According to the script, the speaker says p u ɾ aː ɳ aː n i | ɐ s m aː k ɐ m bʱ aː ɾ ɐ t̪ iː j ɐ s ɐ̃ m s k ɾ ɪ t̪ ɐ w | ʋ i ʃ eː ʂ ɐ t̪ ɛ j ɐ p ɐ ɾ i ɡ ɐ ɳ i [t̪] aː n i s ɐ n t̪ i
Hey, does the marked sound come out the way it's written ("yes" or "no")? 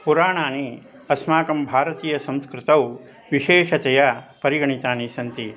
yes